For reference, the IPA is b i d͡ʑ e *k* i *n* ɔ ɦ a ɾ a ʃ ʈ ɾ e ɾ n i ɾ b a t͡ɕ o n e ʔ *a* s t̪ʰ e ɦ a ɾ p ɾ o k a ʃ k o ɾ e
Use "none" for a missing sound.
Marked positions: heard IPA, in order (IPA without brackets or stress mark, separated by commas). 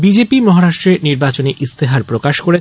p, m, i